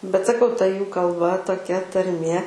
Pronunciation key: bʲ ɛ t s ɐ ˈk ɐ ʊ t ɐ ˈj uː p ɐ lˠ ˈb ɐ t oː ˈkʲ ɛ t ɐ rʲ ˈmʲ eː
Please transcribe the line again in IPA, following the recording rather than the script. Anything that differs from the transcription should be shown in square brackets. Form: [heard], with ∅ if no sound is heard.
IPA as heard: bʲ ɛ t s ɐ ˈk ɐ ʊ t ɐ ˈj uː [k] ɐ lˠ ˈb ɐ t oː ˈkʲ ɛ t ɐ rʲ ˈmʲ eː